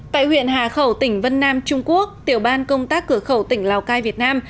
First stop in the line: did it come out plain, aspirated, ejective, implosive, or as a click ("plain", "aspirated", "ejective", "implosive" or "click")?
plain